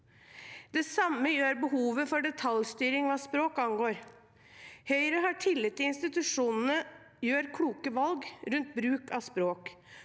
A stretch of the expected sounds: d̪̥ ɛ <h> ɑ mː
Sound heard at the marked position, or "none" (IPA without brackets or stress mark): s